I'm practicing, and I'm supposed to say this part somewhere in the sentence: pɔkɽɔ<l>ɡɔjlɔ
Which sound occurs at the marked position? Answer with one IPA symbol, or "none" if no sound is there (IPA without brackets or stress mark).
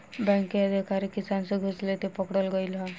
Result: l